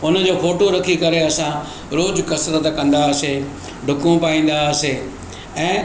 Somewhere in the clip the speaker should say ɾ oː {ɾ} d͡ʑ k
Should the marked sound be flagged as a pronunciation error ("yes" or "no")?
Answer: yes